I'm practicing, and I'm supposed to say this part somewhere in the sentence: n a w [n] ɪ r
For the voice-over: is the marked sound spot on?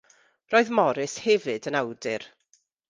no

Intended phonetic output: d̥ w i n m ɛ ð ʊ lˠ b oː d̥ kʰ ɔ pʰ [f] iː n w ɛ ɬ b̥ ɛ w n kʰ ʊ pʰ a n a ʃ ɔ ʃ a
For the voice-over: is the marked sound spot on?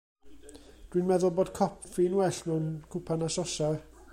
yes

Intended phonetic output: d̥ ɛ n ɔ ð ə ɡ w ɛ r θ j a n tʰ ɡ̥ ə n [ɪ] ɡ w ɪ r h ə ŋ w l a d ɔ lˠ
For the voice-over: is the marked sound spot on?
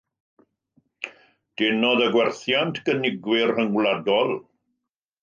yes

